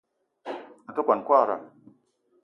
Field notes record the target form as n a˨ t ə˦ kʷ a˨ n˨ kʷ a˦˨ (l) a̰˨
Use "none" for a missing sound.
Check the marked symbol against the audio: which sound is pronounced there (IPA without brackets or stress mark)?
ɾ